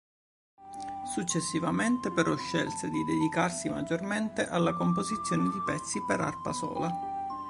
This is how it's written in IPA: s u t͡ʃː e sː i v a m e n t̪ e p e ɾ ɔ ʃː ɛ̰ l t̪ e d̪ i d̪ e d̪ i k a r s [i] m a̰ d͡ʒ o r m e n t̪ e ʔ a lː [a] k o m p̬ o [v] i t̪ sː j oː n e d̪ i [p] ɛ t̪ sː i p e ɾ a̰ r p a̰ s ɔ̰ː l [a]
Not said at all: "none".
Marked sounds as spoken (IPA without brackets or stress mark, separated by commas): i, a, z, p, a